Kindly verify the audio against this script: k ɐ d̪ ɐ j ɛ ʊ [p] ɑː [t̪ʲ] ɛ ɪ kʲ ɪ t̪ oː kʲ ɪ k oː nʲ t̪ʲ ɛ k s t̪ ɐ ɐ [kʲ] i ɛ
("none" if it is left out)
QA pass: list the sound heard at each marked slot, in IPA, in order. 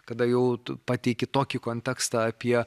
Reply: p, t̪ʲ, pʲ

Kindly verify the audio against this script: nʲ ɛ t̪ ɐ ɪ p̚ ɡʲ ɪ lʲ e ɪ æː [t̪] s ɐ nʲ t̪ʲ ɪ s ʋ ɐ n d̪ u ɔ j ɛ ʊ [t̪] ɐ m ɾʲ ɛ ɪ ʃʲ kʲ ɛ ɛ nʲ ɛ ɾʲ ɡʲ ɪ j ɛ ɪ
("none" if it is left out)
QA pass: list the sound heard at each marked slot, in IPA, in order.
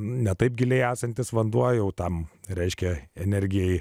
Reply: none, t̪

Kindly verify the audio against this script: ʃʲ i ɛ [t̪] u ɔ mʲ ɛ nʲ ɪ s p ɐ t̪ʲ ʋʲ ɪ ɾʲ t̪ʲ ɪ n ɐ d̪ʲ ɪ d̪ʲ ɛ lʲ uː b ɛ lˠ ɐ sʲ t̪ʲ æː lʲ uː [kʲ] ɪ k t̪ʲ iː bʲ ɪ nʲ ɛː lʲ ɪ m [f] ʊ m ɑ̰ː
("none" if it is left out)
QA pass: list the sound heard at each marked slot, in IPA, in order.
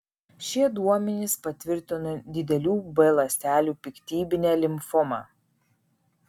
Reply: d̪, pʲ, f

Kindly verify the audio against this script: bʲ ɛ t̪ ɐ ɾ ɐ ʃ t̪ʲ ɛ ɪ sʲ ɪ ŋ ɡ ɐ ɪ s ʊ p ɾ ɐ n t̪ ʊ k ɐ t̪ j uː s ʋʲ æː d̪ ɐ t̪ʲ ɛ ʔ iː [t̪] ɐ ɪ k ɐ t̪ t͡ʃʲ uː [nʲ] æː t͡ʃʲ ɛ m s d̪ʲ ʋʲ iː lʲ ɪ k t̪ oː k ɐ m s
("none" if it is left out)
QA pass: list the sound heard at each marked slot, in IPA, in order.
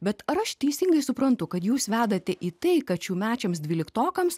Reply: t̪, mʲ

